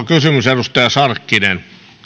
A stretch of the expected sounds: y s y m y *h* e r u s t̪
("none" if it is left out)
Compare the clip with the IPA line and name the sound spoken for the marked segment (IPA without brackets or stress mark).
s